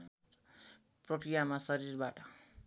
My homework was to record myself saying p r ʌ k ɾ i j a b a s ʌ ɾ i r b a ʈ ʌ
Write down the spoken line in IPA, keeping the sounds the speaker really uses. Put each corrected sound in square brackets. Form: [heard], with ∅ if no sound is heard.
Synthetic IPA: p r ʌ k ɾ i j a [m] a s ʌ ɾ i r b a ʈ ʌ